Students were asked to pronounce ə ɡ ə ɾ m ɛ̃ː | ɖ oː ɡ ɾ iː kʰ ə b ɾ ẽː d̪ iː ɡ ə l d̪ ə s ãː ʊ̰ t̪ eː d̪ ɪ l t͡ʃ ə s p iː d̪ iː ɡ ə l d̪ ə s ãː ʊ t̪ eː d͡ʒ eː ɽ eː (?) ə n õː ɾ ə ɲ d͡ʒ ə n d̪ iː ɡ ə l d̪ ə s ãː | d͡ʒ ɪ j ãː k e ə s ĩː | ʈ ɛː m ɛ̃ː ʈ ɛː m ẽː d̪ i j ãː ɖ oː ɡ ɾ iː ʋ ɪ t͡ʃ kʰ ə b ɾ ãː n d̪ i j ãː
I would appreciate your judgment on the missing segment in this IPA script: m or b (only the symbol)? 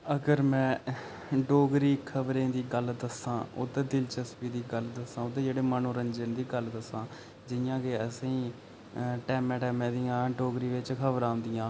m